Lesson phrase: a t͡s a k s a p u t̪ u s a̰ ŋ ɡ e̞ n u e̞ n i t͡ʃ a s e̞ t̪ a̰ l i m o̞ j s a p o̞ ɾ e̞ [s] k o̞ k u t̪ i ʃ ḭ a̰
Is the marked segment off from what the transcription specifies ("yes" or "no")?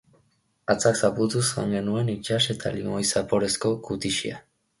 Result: no